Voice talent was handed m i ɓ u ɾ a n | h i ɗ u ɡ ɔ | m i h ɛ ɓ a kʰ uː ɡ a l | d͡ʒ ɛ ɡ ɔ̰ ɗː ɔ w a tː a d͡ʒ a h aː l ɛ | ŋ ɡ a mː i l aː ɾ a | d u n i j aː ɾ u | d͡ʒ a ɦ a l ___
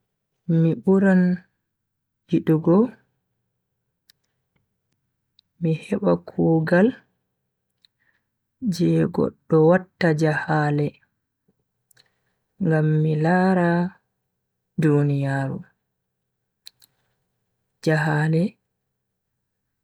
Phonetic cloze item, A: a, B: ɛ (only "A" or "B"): B